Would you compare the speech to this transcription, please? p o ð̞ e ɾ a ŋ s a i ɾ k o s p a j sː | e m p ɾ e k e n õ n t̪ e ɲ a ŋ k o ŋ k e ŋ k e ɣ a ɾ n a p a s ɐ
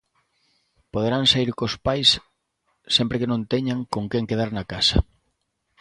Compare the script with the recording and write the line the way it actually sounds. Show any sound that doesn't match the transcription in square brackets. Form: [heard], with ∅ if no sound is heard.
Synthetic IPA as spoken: p o ð̞ e ɾ a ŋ s a i ɾ k o s p a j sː | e m p ɾ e k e n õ n t̪ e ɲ a ŋ k o ŋ k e ŋ k e [ð] a ɾ n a [k] a s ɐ